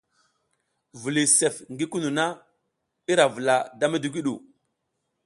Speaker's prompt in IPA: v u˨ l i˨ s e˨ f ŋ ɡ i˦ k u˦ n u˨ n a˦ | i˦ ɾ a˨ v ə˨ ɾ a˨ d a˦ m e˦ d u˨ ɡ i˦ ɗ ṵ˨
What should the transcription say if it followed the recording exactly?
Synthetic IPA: v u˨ l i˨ s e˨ f ŋ ɡ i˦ k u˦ n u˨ n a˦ | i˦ ɾ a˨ v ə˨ l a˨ d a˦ m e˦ d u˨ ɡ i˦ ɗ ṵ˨